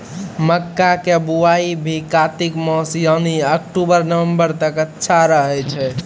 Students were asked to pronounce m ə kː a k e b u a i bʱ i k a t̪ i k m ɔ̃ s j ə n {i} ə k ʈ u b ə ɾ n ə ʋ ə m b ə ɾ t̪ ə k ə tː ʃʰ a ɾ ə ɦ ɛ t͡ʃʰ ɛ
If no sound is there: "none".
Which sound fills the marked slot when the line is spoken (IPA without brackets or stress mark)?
i